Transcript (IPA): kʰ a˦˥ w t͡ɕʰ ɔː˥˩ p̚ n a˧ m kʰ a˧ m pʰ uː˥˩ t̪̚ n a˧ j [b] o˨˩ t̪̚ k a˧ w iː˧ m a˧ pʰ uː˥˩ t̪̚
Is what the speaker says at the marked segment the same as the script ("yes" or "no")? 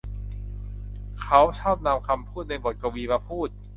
yes